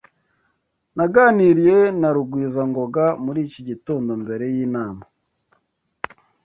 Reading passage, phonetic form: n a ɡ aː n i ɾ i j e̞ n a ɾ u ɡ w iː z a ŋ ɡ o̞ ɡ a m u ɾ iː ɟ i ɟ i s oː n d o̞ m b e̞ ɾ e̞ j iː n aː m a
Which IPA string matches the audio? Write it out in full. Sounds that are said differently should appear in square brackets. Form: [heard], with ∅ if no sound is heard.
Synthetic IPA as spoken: n a ɡ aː n i ɾ i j e̞ n a ɾ u ɡ w iː z a ŋ ɡ o̞ ɡ a m u ɾ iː [c] i ɟ i [t] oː n d o̞ m b e̞ ɾ e̞ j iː n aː m a